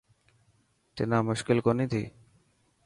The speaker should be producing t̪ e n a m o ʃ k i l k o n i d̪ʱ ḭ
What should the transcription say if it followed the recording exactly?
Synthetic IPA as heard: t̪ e n a m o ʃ k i l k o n i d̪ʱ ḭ